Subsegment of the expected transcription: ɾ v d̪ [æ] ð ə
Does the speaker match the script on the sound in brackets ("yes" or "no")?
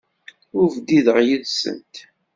no